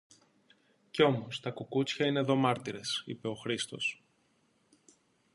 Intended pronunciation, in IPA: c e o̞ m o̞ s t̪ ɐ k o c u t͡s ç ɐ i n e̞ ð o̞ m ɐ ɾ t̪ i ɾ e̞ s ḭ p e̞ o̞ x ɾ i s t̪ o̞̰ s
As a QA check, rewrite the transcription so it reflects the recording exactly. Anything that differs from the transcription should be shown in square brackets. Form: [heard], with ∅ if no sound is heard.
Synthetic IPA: c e o̞ m o̞ s t̪ ɐ k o [k] u t͡s ç ɐ i n e̞ ð o̞ m ɐ ɾ t̪ i ɾ e̞ s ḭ p e̞ o̞ x ɾ i s t̪ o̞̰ s